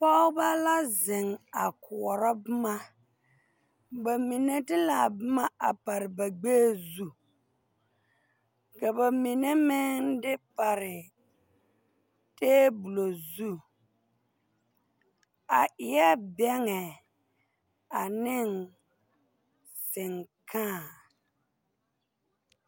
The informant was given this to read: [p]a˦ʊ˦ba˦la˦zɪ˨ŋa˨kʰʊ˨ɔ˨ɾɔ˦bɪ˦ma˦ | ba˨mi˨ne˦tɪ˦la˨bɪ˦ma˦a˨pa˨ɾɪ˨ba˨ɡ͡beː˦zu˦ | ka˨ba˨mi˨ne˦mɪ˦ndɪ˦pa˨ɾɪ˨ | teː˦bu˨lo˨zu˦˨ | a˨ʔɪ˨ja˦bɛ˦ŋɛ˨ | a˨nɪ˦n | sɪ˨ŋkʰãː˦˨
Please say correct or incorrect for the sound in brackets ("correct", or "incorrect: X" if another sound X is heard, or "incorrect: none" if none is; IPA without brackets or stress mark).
correct